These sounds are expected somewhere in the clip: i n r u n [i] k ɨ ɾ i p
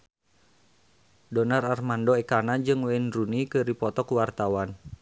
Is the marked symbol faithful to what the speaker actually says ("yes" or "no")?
yes